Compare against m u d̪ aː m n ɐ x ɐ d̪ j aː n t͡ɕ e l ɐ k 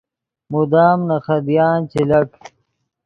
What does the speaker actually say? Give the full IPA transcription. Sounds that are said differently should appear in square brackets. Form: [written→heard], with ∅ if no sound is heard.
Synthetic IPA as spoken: m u d̪ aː m n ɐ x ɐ d̪ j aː n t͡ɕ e l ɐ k